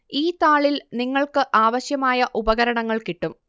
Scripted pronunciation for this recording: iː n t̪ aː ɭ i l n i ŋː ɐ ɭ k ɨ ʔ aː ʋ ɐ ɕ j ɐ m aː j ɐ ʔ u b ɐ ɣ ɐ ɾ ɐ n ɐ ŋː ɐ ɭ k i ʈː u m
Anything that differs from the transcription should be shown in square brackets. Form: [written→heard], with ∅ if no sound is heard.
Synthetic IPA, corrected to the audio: iː [n→∅] t̪ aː ɭ i l n i ŋː ɐ ɭ k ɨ ʔ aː ʋ ɐ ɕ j ɐ m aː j ɐ ʔ u b ɐ ɣ ɐ ɾ ɐ [n→ɳ] ɐ ŋː ɐ ɭ k i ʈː u m